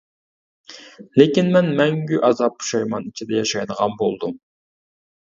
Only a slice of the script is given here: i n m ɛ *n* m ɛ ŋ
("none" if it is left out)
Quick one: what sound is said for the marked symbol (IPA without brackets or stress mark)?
n